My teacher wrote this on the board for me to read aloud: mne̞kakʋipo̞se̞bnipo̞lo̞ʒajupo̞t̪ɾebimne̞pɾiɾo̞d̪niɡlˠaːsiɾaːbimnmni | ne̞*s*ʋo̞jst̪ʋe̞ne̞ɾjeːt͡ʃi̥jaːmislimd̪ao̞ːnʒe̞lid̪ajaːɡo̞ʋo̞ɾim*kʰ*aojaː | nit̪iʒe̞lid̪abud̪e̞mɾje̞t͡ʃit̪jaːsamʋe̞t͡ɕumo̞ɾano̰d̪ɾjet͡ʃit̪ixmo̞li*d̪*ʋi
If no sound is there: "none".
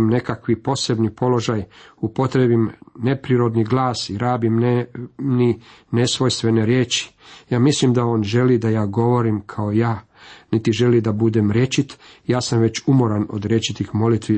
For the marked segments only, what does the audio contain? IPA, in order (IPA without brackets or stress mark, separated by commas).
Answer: s, kʰ, t̪